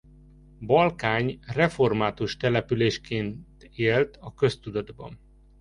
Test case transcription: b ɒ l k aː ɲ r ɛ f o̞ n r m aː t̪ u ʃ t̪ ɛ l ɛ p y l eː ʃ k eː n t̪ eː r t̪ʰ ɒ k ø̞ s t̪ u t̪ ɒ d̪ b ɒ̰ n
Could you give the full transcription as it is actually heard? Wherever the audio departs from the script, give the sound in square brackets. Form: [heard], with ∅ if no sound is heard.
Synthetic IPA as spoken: b ɒ l k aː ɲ r ɛ f o̞ [∅] r m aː t̪ u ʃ t̪ ɛ l ɛ p y l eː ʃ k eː n t̪ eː [l] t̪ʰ ɒ k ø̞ s t̪ u [d̪] ɒ d̪ b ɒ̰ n